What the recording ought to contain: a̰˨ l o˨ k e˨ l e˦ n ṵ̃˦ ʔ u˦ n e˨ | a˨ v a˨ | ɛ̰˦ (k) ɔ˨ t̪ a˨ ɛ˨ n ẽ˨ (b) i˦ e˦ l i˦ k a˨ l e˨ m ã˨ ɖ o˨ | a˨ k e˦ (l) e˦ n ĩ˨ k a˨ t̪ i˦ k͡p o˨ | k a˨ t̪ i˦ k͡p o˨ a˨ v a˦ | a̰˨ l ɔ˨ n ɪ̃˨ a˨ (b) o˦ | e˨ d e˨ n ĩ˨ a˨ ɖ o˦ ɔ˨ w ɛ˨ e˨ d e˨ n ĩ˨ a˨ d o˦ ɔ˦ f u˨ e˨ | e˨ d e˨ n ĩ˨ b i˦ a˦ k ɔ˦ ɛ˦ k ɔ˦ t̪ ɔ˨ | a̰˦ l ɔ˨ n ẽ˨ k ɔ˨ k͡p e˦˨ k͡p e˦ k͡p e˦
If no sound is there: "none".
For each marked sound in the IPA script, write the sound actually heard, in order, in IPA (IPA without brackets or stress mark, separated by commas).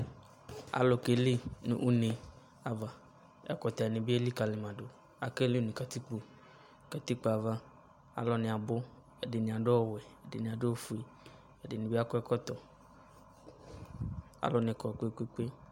k, b, l, b